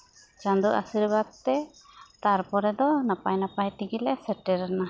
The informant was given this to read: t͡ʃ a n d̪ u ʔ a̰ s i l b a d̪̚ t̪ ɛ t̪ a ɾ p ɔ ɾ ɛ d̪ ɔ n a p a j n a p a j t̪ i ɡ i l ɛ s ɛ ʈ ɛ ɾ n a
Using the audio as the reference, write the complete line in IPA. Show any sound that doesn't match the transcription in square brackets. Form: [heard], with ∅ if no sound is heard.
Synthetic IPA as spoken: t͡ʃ a n d̪ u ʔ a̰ s i [ɾ] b a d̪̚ t̪ ɛ t̪ a ɾ p ɔ ɾ ɛ d̪ ɔ n a p a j n a p a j t̪ i ɡ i l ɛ s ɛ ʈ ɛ ɾ n a